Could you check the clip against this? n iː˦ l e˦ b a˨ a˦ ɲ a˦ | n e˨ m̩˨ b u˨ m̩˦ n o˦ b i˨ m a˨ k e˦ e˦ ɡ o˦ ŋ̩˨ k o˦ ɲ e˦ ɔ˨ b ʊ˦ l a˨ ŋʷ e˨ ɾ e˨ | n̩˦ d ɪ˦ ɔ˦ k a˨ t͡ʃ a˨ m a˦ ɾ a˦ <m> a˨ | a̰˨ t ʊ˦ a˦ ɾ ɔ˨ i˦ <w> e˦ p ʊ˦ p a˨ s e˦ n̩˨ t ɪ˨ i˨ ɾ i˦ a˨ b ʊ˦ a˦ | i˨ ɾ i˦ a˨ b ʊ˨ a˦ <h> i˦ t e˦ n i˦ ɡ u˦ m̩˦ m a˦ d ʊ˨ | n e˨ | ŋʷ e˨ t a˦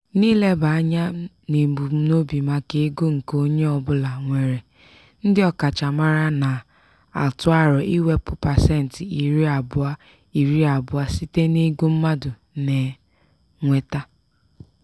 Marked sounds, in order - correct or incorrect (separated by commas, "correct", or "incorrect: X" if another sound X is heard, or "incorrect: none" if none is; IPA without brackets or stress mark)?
incorrect: n, correct, incorrect: s